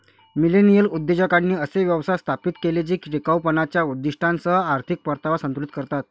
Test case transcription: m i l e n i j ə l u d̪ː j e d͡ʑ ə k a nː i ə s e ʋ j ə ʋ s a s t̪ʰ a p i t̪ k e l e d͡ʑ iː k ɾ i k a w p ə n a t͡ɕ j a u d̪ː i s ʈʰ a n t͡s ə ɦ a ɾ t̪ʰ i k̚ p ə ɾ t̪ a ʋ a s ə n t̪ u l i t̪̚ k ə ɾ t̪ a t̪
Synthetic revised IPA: m i l e n i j ə l u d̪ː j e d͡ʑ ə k a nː iː ə s e ʋ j ə ʋ s a s t̪ʰ a p i t̪ k e l e d͡ʑ iː k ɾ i k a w p ə n a t͡ɕ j a u d̪ː i ʂ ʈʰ a n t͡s ə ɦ a ɾ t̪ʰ i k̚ p ə ɾ t̪ a ʋ a s ə n t̪ u l i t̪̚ k ə ɾ t̪ a t̪